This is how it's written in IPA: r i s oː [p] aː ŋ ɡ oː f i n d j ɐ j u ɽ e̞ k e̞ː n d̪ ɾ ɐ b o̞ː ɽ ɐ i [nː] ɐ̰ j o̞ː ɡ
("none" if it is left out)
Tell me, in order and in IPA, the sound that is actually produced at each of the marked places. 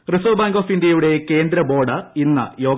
b, nː

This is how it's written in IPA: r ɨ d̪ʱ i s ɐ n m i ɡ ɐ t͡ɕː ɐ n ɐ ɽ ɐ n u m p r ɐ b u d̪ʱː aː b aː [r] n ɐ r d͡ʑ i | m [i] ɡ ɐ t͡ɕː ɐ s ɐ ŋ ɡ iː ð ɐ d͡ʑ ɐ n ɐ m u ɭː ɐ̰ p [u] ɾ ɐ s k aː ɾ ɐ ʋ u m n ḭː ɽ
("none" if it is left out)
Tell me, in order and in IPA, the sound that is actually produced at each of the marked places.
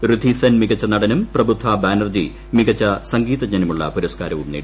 none, i, u

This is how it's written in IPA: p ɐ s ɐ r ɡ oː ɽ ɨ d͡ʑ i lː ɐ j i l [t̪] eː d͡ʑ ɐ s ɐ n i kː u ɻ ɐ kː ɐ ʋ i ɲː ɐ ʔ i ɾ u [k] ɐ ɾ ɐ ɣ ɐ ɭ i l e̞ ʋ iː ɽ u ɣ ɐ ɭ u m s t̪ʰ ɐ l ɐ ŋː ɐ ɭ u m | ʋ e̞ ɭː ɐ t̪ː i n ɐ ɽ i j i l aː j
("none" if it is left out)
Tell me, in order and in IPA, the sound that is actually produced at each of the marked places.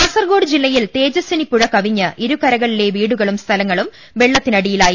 t̪, k

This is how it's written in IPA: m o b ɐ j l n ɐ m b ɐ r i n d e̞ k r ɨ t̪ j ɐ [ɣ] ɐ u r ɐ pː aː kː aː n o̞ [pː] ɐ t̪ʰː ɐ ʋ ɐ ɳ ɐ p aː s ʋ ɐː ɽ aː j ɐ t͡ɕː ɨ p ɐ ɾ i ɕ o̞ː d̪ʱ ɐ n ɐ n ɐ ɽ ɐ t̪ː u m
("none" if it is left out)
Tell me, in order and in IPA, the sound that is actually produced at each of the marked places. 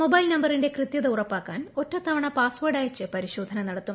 ð, tː

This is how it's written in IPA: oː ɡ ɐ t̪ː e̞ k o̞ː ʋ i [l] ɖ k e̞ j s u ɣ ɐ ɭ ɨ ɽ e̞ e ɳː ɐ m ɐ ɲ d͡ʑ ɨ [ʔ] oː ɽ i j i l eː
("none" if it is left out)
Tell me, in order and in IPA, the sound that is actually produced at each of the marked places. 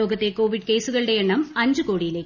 none, k

